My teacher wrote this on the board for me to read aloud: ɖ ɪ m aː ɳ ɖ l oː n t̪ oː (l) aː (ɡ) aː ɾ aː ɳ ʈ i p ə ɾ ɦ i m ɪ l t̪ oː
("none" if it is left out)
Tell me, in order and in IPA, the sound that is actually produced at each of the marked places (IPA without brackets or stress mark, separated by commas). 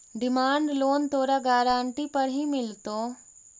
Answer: ɾ, ɡ